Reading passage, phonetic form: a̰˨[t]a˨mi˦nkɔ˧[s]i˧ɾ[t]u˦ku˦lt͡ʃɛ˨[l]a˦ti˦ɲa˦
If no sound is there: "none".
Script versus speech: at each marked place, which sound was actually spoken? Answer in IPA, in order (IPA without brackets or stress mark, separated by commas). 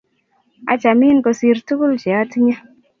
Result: t͡ʃ, s, t, none